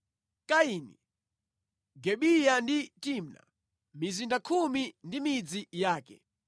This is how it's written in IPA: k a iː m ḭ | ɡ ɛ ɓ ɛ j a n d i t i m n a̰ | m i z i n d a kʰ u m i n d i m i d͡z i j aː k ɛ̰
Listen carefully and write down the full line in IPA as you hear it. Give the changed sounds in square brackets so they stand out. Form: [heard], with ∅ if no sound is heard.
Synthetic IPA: k a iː [n] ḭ | ɡ ɛ ɓ [i] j a n d i t i m n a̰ | m i z i n d a kʰ u m i n d i m i d͡z i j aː k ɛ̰